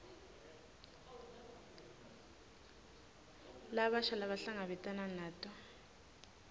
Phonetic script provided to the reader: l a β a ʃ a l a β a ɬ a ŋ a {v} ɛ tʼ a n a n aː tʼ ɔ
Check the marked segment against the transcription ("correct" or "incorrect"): incorrect